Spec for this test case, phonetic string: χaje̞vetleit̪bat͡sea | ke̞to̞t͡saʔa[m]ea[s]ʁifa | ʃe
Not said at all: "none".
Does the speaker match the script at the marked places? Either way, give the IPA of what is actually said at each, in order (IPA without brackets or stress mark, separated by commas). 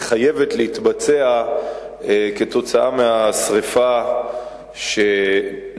m, s